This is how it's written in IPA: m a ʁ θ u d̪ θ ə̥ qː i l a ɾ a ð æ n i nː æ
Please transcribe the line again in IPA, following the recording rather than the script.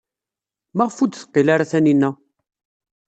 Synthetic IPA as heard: m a ʁ f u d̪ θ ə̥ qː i l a ɾ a θ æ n i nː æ